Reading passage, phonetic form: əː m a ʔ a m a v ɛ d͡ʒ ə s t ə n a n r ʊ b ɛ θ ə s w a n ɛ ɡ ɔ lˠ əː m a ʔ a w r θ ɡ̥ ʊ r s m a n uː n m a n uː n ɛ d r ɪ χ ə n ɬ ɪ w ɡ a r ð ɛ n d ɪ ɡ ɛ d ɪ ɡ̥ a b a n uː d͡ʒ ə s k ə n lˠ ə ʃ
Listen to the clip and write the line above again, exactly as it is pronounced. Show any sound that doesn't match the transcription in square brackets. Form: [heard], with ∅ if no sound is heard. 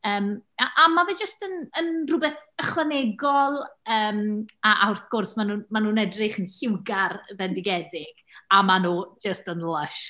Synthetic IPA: əː m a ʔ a m a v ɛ d͡ʒ ə s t ə n [ə] n r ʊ b ɛ θ ə [χ] w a n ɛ ɡ ɔ lˠ əː m a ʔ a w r θ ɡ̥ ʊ r s m a n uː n m a n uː n ɛ d r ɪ χ ə n ɬ ɪ w ɡ a r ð ɛ n d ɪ ɡ ɛ d ɪ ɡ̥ a [m] a n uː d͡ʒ ə s [t] ə n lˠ ə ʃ